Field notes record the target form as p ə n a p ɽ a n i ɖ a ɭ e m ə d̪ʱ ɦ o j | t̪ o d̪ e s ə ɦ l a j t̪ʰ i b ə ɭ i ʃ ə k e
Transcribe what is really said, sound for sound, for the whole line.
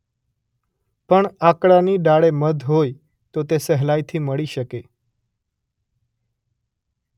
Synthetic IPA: p ə ɳ a k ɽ a n i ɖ a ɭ e m ə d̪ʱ ɦ o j | t̪ o t̪ e s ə ɦ l a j t̪ʰ i m ə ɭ i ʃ ə k e